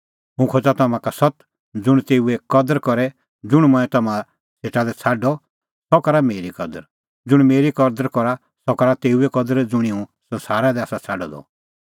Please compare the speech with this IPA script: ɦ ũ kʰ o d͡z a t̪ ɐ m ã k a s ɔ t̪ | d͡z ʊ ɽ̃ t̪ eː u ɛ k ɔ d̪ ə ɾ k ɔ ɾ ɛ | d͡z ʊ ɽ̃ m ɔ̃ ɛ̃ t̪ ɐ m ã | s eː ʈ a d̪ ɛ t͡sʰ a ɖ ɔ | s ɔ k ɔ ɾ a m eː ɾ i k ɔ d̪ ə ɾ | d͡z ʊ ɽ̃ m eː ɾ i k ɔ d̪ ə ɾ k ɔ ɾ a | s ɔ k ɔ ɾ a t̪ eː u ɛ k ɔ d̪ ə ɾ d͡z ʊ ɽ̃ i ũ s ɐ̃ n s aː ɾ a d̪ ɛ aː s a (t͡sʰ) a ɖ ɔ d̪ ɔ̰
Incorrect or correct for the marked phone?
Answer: correct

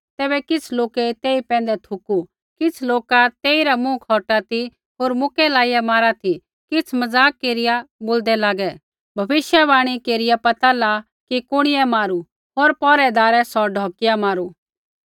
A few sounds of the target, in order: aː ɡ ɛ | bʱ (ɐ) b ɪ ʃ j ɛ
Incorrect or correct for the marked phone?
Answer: correct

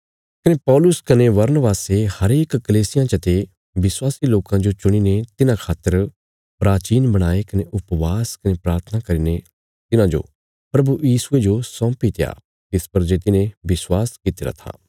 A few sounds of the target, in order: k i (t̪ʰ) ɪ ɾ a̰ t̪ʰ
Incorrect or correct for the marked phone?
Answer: incorrect: t̪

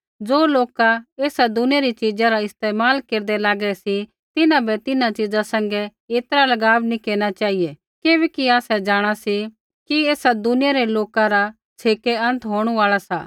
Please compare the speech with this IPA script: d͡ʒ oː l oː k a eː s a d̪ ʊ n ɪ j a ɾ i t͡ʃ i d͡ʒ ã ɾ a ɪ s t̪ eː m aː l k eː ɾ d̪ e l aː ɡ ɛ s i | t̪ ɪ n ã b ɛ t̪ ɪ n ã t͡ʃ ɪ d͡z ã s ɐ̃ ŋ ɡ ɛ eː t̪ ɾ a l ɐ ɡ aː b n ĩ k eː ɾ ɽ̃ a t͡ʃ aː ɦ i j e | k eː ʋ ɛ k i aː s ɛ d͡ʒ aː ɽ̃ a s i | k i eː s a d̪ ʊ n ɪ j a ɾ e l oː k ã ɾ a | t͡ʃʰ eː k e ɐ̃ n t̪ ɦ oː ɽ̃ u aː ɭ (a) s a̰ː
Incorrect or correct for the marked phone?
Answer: correct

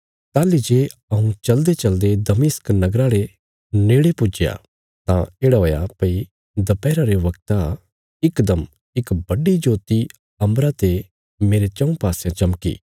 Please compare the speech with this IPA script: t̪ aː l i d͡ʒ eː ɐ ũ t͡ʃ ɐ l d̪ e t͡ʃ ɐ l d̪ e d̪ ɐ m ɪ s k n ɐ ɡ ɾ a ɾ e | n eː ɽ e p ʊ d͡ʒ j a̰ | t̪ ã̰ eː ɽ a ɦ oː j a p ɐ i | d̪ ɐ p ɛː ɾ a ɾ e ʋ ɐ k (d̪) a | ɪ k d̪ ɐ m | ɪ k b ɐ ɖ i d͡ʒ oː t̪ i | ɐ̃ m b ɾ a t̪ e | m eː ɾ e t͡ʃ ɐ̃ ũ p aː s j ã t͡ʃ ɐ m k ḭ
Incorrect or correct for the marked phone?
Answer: incorrect: t̪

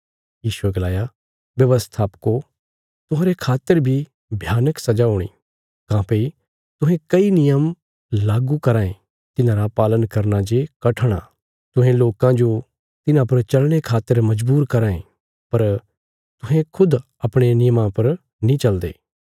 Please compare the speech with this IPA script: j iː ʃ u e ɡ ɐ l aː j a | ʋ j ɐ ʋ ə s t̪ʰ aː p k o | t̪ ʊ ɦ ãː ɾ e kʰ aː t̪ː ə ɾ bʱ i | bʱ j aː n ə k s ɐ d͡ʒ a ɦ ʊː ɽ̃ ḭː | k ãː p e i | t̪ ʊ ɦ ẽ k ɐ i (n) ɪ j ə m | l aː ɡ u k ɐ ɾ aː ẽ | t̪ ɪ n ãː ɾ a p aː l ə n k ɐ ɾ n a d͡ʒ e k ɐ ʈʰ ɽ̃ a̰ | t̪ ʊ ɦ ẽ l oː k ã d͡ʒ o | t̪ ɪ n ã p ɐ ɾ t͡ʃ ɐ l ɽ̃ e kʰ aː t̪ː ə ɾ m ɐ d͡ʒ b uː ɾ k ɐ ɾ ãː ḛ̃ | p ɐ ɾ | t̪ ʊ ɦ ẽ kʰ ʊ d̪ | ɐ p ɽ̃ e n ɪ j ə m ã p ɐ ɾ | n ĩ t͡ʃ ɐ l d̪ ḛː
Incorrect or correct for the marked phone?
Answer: correct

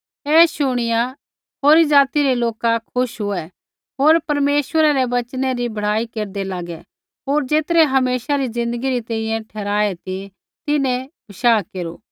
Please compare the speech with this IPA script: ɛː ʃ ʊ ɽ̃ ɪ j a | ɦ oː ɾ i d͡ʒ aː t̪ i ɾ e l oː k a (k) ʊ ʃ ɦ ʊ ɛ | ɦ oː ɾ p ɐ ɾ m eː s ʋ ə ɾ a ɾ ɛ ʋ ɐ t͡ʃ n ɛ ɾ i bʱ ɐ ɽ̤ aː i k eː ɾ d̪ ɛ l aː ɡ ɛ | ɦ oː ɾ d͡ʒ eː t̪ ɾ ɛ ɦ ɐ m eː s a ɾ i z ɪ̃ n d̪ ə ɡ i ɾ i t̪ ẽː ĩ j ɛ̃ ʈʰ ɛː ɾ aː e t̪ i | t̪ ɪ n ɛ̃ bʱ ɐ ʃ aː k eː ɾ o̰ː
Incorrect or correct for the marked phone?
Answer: incorrect: kʰ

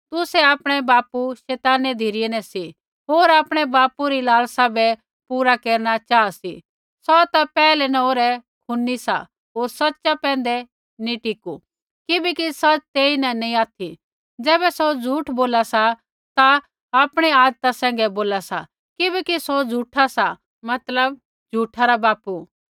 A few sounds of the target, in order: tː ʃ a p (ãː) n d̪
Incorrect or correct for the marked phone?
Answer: incorrect: ɛ̃ː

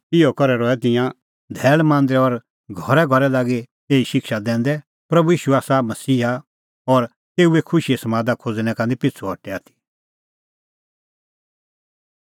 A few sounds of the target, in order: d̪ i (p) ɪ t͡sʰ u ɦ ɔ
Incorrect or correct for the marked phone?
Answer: correct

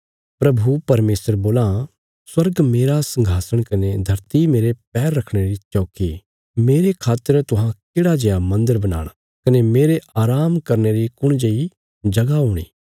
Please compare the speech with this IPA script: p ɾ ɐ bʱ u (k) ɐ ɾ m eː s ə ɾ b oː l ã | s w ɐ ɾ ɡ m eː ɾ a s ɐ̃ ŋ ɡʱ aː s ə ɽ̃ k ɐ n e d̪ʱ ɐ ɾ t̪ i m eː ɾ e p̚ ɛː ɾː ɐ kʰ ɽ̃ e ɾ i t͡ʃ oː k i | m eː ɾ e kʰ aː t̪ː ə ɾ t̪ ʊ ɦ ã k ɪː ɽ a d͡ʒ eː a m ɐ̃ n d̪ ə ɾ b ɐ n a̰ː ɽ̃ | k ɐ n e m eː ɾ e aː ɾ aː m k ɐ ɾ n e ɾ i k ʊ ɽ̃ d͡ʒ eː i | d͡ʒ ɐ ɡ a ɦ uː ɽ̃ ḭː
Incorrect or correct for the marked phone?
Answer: incorrect: p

